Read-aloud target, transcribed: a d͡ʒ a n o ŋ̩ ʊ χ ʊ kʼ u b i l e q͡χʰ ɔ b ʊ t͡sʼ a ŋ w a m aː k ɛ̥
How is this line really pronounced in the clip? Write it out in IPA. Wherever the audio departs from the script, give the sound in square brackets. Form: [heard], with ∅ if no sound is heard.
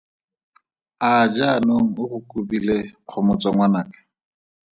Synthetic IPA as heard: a d͡ʒ a n o ŋ̩ ʊ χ ʊ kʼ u b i l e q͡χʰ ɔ [m] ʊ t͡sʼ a ŋ w a [n] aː k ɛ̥